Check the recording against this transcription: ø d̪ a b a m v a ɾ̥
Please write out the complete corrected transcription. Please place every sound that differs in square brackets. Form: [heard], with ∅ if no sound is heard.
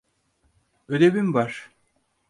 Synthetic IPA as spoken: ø d̪ [e] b [i] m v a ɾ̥